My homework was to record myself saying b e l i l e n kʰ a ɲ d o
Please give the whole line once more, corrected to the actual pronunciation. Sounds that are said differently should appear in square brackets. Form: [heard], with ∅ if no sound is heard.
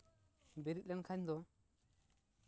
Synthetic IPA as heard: b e [ɾ] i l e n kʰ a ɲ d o